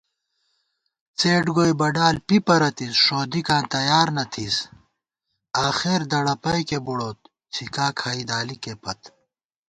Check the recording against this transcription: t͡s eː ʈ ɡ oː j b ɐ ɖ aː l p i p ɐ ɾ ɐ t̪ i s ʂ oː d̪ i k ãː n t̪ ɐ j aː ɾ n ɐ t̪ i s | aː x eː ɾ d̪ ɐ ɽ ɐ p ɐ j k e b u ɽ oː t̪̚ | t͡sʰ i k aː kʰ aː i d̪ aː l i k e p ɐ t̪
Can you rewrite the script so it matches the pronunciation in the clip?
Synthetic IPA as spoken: t͡s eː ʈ ɡ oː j b ɐ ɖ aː l p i p ɐ ɾ ɐ t̪ i s ʂ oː d̪ i k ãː n t̪ ɐ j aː ɾ n ɐ t̪ʰ i s | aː x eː ɾ d̪ ɐ ɽ ɐ p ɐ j k e b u ɽ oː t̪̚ | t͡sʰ i k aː kʰ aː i d̪ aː l i k e p ɐ t̪